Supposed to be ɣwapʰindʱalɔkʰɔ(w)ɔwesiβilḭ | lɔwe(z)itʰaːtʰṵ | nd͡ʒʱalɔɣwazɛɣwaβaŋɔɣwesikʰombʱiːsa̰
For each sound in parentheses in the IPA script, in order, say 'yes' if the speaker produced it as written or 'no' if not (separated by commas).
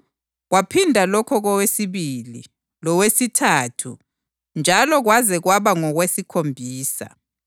no, no